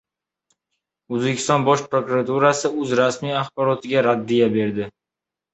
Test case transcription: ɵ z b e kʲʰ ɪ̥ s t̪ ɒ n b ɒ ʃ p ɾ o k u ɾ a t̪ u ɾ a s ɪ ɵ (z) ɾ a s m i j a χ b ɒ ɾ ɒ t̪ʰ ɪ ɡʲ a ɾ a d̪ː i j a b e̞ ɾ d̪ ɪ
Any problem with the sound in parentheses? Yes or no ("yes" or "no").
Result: no